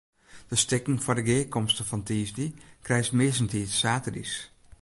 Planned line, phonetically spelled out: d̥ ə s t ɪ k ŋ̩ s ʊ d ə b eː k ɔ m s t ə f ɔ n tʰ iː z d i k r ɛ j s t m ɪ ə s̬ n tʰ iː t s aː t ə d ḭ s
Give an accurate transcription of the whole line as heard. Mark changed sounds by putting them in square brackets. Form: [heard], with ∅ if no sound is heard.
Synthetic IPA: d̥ ə s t ɪ k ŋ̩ [f] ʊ d ə [ɡ] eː k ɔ m s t ə f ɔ n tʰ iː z d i k r ɛ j s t m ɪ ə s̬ n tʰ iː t s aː t ə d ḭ s